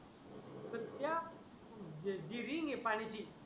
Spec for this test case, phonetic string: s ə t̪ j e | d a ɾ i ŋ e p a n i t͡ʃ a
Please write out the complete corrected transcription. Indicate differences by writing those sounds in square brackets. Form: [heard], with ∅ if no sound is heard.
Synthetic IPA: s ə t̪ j [a] | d [i] ɾ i ŋ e p a n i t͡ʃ [i]